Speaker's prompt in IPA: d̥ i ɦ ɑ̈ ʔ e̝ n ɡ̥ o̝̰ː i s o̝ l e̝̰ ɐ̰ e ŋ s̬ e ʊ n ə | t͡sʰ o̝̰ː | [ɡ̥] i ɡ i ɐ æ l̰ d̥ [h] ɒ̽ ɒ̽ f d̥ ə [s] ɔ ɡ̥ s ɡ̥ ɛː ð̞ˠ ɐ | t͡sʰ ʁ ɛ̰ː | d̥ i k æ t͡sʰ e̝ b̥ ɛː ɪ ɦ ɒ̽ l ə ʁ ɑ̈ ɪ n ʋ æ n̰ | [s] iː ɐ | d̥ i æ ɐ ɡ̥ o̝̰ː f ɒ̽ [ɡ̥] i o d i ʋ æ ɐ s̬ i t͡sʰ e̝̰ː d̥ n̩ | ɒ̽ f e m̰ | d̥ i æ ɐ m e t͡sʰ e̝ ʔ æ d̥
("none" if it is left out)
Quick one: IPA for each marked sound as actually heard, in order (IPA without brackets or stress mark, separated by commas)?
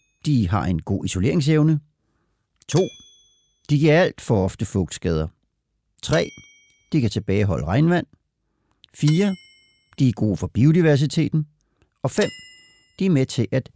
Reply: d̥, f, f, f, b̥